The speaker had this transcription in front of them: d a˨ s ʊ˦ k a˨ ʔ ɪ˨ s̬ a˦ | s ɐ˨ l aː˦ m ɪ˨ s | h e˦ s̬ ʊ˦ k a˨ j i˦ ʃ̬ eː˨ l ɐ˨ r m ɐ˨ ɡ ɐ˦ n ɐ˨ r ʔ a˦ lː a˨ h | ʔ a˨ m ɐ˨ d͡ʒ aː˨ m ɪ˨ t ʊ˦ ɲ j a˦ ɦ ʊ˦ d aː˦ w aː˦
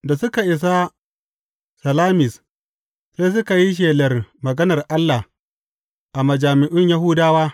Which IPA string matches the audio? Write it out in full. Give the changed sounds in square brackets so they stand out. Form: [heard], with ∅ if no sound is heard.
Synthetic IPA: d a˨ s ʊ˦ k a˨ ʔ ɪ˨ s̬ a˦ | s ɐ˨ l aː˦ m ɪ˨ s | [s] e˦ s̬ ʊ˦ k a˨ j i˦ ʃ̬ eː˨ l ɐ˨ r m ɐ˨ ɡ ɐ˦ n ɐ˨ r ʔ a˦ lː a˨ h | ʔ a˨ m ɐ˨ d͡ʒ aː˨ m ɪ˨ [ʔ] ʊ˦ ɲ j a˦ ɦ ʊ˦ d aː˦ w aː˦